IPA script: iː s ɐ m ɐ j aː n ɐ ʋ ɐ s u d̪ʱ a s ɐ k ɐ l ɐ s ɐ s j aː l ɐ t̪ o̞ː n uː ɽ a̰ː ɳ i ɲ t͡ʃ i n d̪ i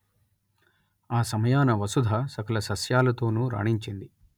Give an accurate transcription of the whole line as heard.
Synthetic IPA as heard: aː s ɐ m ɐ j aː n ɐ ʋ ɐ s u d̪ʱ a s ɐ k ɐ l ɐ s ɐ s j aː l ɐ t̪ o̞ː n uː ɾ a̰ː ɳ i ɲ t͡ʃ i n d̪ i

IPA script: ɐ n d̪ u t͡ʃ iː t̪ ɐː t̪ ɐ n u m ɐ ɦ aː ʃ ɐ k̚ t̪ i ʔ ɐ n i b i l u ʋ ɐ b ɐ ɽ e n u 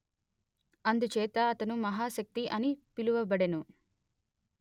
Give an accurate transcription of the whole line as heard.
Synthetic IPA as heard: ɐ n d̪ u t͡ʃ ɛː t̪ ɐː t̪ ɐ n u m ɐ ɦ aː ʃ ɐ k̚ t̪ i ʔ ɐ n i p i l u ʋ ɐ b ɐ ɽ e n u

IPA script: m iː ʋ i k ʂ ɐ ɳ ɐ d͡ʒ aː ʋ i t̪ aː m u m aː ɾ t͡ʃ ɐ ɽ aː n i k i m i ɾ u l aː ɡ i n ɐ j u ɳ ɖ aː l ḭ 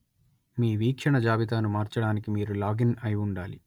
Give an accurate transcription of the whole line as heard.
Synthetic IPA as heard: m iː ʋ iː k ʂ ɐ ɳ ɐ d͡ʒ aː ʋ i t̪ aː n u m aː ɾ t͡ʃ ɐ ɽ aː n i k i m iː ɾ u l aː ɡ i n ɐ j u ɳ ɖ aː l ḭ

